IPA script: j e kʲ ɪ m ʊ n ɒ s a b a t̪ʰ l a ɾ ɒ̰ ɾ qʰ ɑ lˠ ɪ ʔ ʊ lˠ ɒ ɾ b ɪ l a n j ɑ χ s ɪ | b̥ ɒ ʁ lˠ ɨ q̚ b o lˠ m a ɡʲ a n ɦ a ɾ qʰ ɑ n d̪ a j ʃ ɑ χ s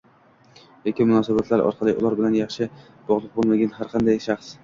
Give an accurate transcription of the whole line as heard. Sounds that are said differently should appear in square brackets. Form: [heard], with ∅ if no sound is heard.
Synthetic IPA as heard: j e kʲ ɪ m ʊ n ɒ s a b a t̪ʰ l a ɾ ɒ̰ ɾ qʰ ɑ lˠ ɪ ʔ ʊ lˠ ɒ ɾ b ɪ l a n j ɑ χ [ʃ] ɪ | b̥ ɒ ʁ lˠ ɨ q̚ b o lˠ m a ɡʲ a n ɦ a ɾ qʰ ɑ n d̪ a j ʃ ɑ χ s

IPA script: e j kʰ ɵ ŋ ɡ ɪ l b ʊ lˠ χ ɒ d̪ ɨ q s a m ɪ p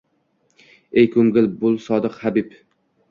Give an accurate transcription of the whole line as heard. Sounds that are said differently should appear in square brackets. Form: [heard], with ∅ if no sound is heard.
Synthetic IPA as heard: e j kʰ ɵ ŋ ɡ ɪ l b ʊ lˠ [s] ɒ d̪ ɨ q [h] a [b] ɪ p

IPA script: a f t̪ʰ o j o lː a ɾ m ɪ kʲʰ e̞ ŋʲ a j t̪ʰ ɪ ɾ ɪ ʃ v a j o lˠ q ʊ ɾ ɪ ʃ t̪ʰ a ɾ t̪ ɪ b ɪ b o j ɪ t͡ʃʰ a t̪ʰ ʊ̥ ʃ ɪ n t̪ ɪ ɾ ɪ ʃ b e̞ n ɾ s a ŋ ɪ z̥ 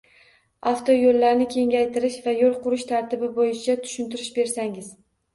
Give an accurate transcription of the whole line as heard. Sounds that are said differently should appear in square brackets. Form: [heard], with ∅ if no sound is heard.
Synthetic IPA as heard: a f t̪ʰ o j o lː a ɾ [n] ɪ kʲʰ e̞ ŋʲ a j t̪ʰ ɪ ɾ ɪ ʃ v a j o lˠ q ʊ ɾ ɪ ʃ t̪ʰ a ɾ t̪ ɪ b ɪ b o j ɪ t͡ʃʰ a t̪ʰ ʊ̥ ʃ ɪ n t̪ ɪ ɾ ɪ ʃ b e̞ [∅] ɾ s a ŋ ɪ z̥

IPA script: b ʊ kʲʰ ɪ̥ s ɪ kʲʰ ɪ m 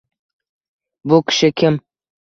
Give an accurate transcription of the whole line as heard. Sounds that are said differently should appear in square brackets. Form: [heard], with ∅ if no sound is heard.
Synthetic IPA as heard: b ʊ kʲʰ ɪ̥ [ʃ] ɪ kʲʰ ɪ m

